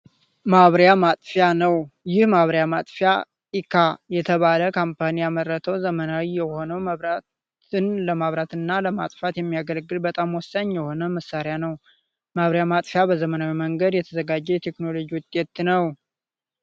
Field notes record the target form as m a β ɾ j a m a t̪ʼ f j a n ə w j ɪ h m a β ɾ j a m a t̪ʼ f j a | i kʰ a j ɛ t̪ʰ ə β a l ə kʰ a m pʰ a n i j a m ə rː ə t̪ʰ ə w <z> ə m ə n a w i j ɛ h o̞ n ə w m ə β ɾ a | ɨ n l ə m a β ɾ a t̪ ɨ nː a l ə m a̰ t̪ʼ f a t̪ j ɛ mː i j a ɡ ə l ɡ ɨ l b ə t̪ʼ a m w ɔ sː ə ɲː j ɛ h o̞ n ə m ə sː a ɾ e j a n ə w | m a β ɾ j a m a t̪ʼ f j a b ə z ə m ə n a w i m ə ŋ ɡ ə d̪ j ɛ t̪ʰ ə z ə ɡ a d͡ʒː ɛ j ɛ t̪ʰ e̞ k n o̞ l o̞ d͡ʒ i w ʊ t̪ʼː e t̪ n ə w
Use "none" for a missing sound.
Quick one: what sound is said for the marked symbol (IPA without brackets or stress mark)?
z